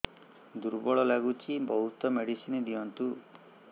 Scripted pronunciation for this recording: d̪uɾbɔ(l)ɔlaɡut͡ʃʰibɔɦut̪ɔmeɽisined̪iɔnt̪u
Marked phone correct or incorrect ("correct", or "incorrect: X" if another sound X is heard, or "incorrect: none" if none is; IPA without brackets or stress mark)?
incorrect: ɭ